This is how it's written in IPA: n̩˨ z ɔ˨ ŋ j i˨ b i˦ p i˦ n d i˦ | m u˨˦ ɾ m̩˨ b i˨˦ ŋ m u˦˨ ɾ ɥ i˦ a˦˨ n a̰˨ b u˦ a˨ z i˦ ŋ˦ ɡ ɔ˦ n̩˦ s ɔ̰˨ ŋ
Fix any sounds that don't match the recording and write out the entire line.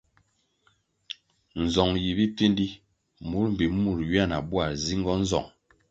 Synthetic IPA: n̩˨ z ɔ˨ ŋ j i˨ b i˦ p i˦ n d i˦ | m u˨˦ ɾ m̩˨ b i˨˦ m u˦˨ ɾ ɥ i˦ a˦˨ n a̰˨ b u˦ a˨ z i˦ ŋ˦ ɡ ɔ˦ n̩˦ z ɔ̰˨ ŋ